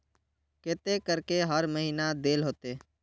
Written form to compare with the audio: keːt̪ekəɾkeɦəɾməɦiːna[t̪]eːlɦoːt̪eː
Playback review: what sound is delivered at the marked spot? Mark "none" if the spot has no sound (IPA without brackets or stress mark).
d̪